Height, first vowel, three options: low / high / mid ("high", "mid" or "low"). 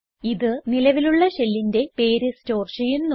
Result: high